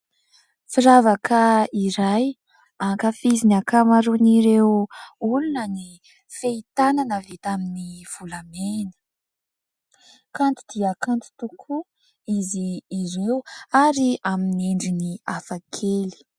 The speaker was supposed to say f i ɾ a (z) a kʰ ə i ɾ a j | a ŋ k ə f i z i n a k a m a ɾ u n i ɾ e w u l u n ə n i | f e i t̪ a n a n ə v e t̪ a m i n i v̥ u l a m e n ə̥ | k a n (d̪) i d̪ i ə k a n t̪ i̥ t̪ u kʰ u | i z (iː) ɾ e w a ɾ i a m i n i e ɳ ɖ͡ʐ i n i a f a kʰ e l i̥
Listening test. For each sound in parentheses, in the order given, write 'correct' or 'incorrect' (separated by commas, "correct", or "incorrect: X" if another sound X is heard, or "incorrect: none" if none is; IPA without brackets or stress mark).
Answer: incorrect: v, incorrect: t̪, correct